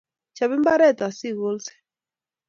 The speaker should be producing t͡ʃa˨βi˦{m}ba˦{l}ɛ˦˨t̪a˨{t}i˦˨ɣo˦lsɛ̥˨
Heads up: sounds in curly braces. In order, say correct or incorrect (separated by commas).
correct, incorrect, incorrect